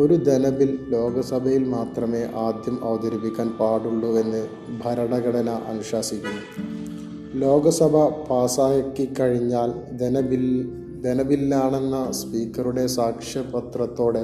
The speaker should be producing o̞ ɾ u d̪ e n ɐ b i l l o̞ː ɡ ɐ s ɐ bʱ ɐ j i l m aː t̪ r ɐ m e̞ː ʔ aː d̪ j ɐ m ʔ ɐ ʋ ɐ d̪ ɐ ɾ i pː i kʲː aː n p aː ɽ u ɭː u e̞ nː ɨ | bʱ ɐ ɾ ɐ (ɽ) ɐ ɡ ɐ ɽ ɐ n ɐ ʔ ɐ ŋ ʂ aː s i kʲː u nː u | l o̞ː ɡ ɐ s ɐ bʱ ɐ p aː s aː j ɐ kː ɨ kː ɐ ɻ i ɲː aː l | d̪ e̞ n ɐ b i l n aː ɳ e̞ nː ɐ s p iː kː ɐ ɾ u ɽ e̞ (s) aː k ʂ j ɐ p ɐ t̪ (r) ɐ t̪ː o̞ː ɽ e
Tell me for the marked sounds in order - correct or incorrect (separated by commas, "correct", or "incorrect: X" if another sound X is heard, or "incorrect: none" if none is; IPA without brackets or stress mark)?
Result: correct, correct, correct